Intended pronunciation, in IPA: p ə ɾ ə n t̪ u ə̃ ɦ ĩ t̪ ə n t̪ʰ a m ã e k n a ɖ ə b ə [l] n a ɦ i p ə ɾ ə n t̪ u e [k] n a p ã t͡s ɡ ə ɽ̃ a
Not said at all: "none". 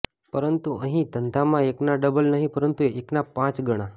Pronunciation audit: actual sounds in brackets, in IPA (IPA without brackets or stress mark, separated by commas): l, k